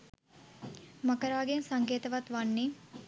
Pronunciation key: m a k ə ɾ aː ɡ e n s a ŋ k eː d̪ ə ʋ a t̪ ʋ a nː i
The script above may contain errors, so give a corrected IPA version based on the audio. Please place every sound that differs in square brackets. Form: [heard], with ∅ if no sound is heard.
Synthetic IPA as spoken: m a k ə ɾ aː ɡ e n s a ŋ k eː [t̪] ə ʋ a t̪ ʋ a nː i